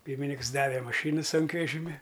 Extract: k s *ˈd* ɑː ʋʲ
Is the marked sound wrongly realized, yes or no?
no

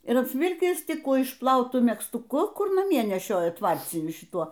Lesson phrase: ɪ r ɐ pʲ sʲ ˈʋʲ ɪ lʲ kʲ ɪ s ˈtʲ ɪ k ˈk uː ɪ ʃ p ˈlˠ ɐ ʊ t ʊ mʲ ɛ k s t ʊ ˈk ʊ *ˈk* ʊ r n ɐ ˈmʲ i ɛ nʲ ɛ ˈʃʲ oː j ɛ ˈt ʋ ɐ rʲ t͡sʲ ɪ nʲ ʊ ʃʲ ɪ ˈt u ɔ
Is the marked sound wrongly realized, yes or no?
no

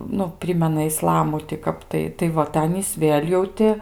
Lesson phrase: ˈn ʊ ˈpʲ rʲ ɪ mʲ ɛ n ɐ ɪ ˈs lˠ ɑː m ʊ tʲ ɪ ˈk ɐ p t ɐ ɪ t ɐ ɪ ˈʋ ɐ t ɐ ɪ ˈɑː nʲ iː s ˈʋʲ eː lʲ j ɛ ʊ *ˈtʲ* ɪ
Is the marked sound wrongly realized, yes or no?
no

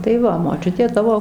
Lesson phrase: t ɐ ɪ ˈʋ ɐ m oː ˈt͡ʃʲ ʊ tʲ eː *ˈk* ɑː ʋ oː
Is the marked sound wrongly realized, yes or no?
yes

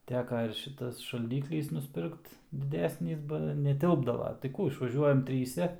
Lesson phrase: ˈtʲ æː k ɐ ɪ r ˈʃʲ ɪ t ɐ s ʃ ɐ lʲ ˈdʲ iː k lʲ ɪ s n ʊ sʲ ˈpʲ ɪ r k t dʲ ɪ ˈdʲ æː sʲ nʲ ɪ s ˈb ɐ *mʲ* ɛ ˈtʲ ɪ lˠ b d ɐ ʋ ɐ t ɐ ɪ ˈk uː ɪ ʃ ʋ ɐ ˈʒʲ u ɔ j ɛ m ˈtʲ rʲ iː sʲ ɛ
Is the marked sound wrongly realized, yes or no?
yes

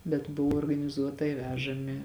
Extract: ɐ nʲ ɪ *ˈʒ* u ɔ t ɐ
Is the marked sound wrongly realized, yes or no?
yes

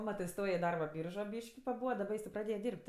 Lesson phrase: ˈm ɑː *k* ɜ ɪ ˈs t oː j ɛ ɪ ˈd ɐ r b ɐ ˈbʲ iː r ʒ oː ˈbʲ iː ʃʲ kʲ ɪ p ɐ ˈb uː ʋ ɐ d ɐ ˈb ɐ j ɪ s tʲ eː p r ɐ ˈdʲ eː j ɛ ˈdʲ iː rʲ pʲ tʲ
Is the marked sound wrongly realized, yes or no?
yes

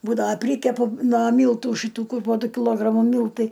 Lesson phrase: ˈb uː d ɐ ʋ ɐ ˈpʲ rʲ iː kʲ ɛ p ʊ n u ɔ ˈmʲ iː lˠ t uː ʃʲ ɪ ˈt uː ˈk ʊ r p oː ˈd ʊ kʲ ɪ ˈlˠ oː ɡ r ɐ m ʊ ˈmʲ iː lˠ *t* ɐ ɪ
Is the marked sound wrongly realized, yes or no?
no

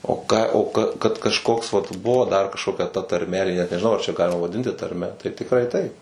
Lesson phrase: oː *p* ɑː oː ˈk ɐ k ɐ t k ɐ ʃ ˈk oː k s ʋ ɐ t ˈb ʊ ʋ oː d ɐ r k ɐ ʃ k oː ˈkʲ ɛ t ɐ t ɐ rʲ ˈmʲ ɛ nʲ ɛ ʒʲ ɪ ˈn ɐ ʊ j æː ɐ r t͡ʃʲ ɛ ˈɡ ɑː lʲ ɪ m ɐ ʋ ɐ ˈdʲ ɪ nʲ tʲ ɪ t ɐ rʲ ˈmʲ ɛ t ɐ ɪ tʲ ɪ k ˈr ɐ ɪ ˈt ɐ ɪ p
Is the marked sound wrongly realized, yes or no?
yes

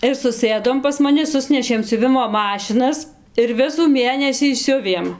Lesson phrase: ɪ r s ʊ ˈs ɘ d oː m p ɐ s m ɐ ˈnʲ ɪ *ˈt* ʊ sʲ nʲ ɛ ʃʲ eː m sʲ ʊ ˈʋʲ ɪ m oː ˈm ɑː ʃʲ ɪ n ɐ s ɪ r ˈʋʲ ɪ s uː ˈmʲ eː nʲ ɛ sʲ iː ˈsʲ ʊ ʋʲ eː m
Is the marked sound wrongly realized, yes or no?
yes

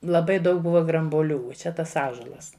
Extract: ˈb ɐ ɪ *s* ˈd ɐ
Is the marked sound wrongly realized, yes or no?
yes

